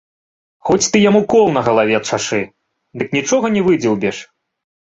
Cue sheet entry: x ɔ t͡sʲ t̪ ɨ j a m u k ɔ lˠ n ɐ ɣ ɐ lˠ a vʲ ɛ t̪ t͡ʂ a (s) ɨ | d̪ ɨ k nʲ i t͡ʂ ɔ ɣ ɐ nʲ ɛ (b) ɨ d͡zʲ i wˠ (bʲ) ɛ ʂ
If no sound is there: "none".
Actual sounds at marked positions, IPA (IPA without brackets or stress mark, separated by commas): ʂ, v, bʲ